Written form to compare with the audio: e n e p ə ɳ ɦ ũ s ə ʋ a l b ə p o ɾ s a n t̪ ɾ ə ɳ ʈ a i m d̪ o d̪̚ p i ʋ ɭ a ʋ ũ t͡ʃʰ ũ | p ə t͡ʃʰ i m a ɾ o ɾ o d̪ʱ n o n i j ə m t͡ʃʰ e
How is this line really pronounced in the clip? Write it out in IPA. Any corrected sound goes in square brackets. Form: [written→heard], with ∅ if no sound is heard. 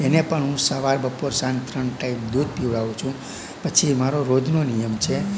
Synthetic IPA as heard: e n e p ə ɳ ɦ ũ s ə ʋ a [l→ɾ] b ə p o ɾ s a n t̪ ɾ ə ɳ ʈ a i m d̪ [o→u] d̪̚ p i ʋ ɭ a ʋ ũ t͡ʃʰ ũ | p ə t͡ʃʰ i m a ɾ o ɾ o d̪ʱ n o n i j ə m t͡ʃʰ e